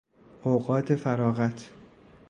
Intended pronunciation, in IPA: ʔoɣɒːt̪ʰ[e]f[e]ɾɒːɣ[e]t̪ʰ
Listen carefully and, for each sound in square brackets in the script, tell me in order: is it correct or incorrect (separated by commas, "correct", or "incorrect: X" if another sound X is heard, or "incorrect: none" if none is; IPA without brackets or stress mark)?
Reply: correct, incorrect: æ, incorrect: æ